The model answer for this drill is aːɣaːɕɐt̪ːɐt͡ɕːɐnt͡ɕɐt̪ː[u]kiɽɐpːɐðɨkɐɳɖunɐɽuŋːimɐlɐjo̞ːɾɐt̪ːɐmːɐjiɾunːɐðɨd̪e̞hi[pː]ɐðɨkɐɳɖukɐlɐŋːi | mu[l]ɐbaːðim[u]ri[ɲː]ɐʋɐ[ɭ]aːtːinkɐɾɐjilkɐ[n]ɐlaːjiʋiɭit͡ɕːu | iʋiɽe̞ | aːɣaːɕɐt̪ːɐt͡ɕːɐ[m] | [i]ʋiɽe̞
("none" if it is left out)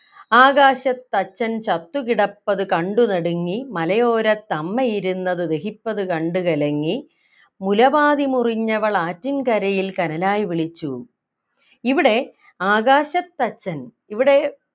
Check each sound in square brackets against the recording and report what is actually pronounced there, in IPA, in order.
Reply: u, pː, l, u, ɲː, ɭ, n, n, i

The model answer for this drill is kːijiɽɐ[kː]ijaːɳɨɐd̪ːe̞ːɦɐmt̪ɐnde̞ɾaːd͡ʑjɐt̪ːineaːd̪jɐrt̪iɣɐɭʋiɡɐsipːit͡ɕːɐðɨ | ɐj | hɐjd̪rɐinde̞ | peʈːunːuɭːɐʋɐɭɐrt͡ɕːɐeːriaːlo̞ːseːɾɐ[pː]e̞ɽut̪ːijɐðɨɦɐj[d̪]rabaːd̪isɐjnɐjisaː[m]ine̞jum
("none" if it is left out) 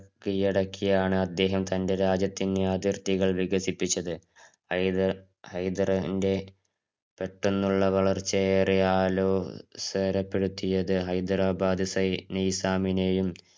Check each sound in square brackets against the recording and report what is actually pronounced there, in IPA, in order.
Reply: kː, pː, d̪, m

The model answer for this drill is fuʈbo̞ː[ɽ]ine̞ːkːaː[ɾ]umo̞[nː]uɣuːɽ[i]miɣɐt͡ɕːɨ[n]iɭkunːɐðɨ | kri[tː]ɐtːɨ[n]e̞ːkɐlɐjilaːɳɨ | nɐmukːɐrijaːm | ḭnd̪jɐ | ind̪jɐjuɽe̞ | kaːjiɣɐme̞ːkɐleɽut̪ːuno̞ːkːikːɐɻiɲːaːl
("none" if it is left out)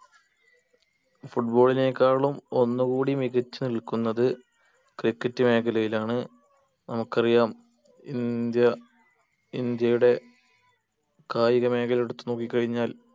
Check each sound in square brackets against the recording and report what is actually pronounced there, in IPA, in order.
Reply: ɭ, ɭ, nː, i, n, kː, m

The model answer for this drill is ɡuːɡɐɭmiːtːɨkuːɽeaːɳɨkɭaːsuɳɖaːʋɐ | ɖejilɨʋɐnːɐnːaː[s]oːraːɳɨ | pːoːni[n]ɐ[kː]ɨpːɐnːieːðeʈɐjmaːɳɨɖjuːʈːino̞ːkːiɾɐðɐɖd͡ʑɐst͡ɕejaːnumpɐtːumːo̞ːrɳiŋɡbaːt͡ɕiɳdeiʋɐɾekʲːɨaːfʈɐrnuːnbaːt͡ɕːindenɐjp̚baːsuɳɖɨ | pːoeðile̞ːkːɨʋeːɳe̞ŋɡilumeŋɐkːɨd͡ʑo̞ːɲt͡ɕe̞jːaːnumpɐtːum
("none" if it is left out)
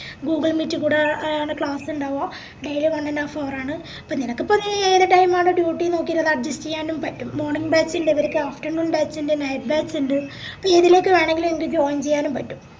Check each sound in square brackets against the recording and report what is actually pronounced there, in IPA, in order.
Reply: f, n, kː

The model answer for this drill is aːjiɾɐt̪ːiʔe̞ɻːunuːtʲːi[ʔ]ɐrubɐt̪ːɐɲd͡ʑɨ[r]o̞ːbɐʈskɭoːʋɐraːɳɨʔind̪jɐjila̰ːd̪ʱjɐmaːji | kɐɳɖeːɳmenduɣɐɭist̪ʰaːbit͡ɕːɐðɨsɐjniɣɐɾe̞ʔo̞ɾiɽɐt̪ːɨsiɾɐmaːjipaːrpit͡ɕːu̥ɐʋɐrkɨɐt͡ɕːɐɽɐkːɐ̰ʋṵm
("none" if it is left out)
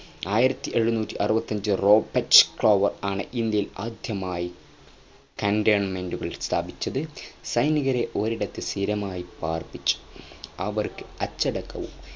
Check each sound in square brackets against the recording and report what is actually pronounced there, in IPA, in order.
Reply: ʔ, r

